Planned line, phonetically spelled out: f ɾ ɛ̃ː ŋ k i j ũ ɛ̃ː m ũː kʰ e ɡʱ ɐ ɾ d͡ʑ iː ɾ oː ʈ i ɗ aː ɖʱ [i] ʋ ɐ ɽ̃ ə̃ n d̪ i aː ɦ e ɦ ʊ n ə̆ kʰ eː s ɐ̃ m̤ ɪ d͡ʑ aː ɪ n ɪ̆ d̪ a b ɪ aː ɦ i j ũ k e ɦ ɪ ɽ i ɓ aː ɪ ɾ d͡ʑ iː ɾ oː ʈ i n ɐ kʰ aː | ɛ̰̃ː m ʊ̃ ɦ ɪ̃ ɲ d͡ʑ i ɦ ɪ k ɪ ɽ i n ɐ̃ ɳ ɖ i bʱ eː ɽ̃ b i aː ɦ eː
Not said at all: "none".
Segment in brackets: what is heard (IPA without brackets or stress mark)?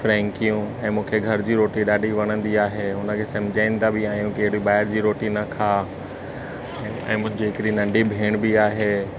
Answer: i